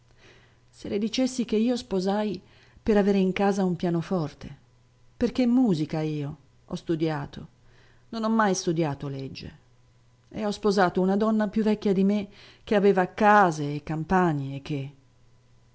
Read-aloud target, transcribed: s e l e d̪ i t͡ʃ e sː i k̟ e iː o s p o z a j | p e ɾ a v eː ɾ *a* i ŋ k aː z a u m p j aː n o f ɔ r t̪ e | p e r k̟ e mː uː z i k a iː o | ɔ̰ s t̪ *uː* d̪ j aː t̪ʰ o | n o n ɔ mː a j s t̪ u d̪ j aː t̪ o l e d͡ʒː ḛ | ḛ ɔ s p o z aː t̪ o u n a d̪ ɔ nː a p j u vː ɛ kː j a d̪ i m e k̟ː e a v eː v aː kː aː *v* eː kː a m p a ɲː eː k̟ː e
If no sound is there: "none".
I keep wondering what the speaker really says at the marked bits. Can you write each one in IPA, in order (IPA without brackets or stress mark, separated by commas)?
e, u, z